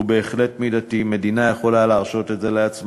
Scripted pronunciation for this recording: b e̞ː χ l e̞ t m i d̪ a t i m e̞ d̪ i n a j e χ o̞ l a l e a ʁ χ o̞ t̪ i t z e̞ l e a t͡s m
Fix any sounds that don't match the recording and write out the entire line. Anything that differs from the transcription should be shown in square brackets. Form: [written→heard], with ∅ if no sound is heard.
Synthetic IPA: b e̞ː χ l e̞ t m i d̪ a t i m e̞ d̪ i n a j e χ o̞ l a l e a ʁ [χ→ʃ] o̞ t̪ [i→e] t z e̞ l e a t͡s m